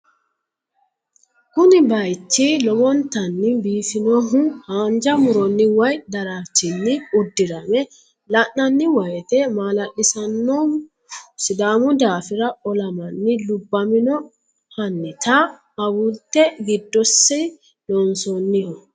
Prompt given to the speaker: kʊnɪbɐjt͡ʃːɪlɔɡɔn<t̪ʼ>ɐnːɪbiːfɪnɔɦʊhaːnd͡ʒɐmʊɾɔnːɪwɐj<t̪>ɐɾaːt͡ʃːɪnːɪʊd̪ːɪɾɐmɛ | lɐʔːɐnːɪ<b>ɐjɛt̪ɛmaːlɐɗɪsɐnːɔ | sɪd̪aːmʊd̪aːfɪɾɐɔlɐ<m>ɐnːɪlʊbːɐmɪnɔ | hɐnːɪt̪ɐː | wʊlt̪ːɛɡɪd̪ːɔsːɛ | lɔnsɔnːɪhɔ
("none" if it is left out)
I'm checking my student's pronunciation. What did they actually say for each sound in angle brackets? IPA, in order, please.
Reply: t̪, d̪, w, m

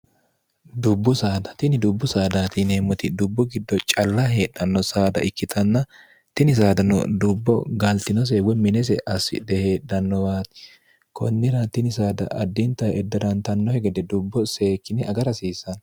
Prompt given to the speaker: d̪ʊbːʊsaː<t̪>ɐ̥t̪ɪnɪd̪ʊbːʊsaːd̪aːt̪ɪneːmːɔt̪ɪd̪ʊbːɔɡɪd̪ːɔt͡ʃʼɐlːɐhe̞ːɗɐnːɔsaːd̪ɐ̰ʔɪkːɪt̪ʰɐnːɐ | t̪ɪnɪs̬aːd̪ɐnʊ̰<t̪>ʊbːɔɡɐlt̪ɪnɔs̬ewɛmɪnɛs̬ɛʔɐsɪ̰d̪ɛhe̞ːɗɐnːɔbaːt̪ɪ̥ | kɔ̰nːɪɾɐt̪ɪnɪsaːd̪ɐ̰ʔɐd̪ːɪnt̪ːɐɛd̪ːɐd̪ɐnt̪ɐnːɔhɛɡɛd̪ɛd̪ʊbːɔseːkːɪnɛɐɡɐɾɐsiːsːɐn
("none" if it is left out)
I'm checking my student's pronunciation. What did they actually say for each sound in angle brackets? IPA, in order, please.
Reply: d̪, d̪

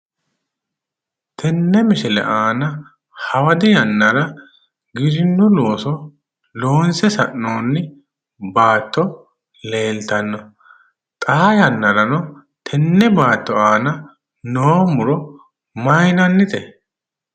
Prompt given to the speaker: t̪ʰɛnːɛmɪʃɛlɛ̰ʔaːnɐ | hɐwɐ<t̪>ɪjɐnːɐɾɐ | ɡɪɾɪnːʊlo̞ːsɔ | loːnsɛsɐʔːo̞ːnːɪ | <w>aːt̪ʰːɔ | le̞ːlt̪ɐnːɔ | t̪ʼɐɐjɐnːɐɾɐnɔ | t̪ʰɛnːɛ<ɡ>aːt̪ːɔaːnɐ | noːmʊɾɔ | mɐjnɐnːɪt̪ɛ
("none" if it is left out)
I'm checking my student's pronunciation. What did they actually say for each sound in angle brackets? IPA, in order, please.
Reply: d̪, b, b

